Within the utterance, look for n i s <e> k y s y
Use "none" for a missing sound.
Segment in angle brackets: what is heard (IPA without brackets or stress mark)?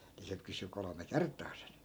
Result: e